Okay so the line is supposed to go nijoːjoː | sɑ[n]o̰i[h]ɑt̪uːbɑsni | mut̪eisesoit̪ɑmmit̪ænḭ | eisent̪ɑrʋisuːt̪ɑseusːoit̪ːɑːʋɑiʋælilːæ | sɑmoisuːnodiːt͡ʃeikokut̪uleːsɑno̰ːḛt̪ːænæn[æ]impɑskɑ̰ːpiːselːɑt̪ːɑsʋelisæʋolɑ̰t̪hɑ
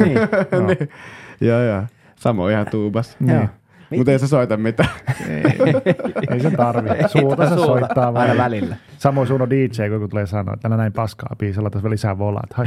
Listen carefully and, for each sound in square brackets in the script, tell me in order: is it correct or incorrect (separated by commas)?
incorrect, correct, correct